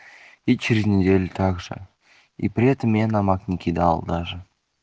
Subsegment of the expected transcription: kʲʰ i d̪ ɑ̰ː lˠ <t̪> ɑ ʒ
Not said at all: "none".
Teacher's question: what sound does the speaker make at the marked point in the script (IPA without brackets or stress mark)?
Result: d̪